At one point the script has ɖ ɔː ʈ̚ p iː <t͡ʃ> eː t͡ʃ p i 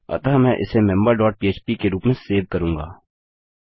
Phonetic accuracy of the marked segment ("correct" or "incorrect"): incorrect